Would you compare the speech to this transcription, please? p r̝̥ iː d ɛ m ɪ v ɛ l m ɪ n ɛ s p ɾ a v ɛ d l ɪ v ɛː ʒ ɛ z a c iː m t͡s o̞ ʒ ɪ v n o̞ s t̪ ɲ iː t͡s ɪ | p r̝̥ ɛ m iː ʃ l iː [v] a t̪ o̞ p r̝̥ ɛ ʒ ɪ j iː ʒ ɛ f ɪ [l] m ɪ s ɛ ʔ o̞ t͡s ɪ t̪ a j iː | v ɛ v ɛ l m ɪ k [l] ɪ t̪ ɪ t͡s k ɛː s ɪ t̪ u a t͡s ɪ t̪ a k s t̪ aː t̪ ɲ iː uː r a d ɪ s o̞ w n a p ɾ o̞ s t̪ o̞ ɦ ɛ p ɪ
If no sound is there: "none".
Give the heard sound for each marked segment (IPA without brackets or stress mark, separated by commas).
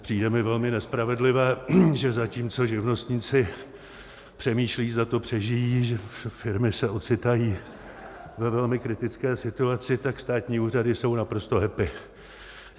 z, ɾ, ɾ